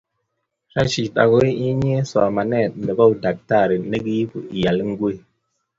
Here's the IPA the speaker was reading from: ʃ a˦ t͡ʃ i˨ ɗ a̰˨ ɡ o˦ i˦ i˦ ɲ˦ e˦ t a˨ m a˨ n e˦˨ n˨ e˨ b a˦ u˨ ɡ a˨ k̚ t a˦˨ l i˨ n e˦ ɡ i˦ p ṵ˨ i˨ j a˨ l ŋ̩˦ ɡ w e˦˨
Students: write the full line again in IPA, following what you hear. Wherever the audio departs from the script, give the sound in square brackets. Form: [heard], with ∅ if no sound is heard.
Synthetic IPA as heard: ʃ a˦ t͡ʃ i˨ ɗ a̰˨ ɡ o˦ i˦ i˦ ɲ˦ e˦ [s] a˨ m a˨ n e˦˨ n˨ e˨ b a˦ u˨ [d] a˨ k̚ t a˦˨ [ɾ] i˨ n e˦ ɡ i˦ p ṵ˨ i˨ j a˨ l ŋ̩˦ ɡ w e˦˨

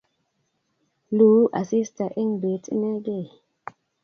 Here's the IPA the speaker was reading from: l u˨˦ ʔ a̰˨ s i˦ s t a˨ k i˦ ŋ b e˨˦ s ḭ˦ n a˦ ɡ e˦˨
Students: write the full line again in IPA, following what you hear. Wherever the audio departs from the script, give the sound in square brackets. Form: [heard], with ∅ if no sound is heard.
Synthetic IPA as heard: l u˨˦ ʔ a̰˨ s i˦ s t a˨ [ʔ] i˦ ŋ b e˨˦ [t] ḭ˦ n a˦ ɡ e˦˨

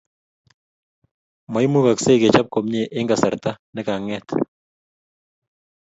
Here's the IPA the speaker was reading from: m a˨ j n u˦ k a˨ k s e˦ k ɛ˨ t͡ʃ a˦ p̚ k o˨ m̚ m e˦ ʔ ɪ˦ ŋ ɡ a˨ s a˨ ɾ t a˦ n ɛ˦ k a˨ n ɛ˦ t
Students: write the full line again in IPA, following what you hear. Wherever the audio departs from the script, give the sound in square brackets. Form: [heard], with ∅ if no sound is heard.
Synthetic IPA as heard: m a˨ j [m] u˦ k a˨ k s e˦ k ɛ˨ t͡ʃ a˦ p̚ k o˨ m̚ [ɲ] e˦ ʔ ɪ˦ ŋ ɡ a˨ s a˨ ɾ t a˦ n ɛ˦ k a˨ [ŋ] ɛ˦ t

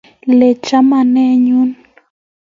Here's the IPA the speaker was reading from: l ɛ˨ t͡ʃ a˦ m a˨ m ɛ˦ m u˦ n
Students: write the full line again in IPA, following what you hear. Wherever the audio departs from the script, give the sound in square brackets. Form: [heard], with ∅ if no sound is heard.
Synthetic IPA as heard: l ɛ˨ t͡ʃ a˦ m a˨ [n] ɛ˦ [ɲ] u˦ n

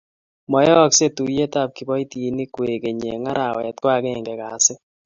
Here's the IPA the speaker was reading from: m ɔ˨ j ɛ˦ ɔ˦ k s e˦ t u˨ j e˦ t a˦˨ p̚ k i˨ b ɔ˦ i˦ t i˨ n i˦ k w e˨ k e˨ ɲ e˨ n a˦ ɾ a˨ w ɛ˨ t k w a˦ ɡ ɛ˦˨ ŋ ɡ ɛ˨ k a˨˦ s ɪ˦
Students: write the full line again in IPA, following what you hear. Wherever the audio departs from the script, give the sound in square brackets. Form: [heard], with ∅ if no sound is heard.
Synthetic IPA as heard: m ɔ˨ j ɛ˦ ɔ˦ k s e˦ t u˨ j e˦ t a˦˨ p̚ k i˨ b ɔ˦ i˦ t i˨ n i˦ k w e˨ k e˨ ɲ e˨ [ŋ] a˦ ɾ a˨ w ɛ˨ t k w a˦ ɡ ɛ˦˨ ŋ ɡ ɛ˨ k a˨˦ s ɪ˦

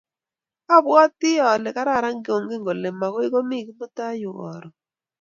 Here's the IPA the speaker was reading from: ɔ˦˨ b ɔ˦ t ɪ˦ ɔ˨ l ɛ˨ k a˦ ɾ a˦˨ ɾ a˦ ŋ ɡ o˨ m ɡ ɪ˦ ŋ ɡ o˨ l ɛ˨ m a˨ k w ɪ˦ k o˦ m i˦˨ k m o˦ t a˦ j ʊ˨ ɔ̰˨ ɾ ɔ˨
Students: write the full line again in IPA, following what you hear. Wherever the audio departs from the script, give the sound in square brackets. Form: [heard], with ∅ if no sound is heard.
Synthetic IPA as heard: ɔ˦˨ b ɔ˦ t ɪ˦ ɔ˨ l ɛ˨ k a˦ ɾ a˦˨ ɾ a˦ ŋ ɡ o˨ [ŋ] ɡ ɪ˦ ŋ ɡ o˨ l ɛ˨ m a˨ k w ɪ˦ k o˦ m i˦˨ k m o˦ t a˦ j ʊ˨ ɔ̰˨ ɾ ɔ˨

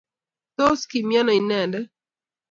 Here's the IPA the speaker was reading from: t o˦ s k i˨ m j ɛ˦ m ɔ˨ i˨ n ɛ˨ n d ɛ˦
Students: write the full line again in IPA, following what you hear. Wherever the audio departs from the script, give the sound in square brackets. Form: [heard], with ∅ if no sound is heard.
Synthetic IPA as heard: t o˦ s k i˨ m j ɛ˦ [n] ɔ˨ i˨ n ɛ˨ n d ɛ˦

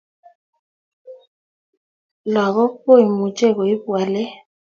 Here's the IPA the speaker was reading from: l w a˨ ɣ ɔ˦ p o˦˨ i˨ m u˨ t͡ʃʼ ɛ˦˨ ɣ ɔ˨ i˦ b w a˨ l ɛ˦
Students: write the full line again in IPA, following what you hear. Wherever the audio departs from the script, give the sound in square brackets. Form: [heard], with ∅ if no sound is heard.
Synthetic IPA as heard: l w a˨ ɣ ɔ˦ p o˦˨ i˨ m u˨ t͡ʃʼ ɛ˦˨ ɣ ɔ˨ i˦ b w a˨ l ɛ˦

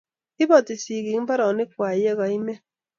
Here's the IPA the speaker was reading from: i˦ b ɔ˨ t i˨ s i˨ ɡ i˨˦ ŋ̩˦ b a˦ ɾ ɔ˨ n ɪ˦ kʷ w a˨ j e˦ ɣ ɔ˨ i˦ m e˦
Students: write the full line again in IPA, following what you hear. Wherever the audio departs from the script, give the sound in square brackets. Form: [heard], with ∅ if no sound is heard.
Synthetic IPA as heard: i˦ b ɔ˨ t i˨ s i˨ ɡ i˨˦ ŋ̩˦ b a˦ ɾ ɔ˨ n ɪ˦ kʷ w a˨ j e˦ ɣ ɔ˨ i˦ m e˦

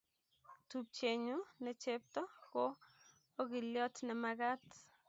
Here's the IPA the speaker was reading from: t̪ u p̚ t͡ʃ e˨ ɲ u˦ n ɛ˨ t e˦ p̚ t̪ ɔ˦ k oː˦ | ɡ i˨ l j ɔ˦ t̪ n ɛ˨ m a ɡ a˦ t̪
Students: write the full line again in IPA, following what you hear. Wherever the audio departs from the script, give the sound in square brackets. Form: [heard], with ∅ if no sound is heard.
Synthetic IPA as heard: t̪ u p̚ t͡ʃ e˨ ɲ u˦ n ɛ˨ [t͡ʃ] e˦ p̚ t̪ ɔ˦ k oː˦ | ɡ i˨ l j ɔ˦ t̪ n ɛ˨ m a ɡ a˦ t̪

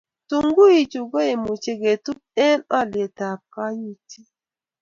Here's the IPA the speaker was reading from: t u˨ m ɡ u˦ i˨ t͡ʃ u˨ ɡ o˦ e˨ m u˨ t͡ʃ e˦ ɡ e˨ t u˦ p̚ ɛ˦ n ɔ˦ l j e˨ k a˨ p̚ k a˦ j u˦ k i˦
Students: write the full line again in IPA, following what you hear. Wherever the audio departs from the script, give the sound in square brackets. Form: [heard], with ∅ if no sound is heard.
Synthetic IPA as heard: t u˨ [ŋ] ɡ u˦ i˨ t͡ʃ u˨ ɡ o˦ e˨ m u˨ t͡ʃ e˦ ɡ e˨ t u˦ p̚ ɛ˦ n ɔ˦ l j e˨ [t] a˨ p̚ k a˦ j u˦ [t] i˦

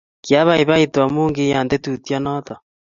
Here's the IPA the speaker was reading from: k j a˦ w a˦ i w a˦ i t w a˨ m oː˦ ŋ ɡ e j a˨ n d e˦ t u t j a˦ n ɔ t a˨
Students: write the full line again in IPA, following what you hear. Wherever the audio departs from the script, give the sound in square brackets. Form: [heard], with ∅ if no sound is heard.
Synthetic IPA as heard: k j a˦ [β] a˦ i [β] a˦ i t w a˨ m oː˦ ŋ ɡ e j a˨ n d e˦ t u t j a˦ n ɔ t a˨

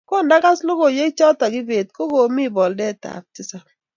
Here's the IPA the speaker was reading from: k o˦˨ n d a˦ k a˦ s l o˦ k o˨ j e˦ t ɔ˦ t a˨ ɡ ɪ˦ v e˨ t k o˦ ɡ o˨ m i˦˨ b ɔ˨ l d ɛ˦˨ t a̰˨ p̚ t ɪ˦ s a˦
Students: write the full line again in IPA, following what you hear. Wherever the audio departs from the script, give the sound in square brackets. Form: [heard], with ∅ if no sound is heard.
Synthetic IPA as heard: k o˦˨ n d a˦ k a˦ s l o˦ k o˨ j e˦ [t͡ʃ] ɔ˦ t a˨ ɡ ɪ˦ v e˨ t k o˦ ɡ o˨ m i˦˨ b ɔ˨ l d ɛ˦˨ t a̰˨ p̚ t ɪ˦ s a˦

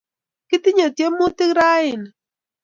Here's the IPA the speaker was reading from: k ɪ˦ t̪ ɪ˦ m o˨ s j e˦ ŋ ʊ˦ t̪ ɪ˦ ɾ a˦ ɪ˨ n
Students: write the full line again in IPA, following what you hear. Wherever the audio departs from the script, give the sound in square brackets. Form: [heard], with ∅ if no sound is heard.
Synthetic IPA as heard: k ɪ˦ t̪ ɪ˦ [ɲ] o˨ [t] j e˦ [m] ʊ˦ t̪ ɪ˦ ɾ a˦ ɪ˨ n

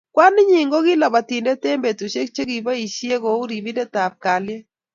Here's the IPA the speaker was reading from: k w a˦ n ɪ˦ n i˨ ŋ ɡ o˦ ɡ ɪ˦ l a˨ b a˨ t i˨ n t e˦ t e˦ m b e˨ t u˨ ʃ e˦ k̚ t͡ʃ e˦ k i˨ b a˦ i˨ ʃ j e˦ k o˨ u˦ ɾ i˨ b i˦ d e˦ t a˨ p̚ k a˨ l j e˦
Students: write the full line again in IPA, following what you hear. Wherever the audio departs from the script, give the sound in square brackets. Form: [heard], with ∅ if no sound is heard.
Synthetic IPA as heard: k w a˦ n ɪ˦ [ɲ] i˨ ŋ ɡ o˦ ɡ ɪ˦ l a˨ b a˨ t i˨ n [d] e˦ t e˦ m b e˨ t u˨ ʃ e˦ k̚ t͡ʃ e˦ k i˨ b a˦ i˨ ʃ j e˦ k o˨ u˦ ɾ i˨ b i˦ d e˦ t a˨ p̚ k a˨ l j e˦

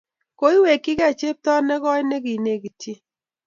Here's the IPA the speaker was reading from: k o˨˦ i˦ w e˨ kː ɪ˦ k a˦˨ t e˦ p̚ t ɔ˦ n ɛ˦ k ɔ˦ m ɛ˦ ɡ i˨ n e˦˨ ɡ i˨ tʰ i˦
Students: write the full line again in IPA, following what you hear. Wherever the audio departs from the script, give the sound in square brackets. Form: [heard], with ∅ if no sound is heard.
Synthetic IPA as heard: k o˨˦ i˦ w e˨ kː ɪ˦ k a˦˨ [t͡ʃ] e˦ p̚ t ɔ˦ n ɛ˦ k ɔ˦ [n] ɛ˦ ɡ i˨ n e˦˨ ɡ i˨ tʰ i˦

